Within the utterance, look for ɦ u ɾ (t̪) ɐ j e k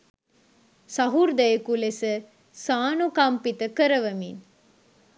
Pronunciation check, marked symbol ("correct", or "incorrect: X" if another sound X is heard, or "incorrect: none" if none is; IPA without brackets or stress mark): incorrect: d̪